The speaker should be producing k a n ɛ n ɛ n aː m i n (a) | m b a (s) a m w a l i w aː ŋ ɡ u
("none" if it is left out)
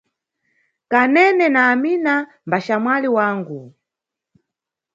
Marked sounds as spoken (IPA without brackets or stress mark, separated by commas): a, ʃ